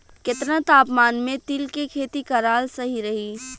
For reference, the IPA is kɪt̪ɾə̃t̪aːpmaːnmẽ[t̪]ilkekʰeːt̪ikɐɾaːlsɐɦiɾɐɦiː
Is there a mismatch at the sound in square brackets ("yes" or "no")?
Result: no